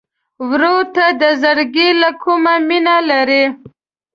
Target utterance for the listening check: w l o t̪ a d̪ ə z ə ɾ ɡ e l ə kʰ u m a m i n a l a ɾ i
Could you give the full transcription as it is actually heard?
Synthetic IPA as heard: w ɾ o t̪ a d̪ ə z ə ɾ ɡ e l a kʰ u m a m i n a l a ɾ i